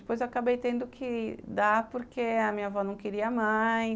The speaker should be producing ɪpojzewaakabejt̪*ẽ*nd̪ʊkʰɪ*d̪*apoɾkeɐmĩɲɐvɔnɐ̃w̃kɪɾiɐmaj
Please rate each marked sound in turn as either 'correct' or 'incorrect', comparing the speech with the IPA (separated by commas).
correct, correct